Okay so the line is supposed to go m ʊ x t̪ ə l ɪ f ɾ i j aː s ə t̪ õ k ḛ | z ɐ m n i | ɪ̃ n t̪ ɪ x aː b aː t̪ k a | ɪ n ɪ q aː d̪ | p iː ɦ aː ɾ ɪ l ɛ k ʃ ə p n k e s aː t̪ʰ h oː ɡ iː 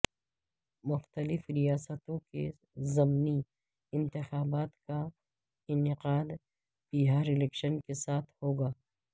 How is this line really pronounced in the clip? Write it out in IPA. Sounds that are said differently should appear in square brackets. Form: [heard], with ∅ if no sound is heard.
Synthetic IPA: m ʊ x t̪ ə l ɪ f ɾ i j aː s ə t̪ õ k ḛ | z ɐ m n i | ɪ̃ n t̪ ɪ x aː b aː t̪ k a | ɪ n ɪ q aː d̪ | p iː ɦ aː ɾ ɪ l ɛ k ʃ ə [∅] n k e s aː t̪ʰ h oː ɡ [aː]